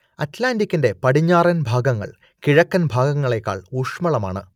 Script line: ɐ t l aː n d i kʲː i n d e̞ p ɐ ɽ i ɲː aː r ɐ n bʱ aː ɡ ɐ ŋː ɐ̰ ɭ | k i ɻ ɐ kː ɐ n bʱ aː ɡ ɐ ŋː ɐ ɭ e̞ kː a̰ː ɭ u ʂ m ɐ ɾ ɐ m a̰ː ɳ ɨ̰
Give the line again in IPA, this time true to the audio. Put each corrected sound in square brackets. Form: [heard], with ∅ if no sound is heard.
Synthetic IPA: ɐ t l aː n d i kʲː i n d e̞ p ɐ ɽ i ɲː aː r ɐ n bʱ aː ɡ ɐ ŋː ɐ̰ ɭ | k i ɻ ɐ kː ɐ n bʱ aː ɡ ɐ ŋː ɐ ɭ e̞ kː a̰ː ɭ u ʂ m ɐ [ɭ] ɐ m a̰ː ɳ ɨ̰